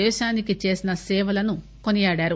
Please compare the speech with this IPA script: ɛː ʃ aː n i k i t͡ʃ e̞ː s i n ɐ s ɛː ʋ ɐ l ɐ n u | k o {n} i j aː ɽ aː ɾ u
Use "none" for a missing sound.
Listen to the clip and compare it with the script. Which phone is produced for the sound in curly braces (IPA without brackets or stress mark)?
n